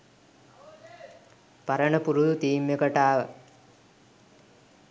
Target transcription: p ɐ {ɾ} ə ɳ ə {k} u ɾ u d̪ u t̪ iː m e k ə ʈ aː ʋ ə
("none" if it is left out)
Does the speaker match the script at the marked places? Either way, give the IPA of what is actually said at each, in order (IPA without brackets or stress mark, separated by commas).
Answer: ɾ, p